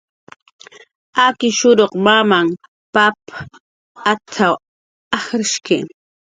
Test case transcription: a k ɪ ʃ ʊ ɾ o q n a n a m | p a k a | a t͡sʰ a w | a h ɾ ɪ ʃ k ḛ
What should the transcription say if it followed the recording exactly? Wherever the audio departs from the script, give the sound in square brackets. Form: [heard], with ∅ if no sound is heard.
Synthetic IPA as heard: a k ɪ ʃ ʊ ɾ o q [m] a [m] a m | p a [p] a | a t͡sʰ a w | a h ɾ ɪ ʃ k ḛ